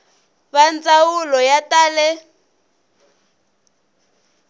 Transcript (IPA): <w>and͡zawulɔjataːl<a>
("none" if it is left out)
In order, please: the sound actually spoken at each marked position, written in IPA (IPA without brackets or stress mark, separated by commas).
β, ɛ